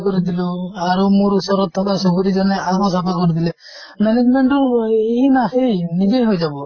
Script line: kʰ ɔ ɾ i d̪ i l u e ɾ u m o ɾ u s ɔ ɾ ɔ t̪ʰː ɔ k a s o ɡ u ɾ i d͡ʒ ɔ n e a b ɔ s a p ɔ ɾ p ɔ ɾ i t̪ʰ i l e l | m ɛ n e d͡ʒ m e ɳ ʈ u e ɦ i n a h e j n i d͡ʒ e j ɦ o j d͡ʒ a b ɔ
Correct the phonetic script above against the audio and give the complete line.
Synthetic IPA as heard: k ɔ ɾ i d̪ i l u a ɾ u m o ɾ u s ɔ ɾ ɔ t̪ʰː ɔ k a s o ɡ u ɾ i d͡ʒ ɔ n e a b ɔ s a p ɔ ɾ k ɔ ɾ i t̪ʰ i l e | m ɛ n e d͡ʒ m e ɳ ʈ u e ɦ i n a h e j n i d͡ʒ e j ɦ o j d͡ʒ a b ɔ